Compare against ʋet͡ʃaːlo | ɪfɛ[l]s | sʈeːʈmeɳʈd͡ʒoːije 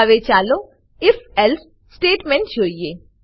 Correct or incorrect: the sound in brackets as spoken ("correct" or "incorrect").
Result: correct